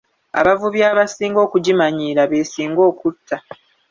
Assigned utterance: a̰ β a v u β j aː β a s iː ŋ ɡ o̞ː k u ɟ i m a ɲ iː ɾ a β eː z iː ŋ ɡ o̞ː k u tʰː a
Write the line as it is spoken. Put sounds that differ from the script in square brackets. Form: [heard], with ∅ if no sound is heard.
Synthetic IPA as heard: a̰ β a v u β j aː β a s iː ŋ ɡ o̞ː k u ɟ i m a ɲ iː ɾ a β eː [s] iː ŋ ɡ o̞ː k u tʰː a